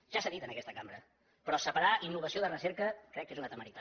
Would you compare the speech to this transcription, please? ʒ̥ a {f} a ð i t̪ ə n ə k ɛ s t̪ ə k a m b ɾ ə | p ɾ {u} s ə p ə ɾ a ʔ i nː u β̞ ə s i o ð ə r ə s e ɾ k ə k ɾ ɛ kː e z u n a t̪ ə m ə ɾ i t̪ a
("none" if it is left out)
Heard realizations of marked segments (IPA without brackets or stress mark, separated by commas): s, ɔ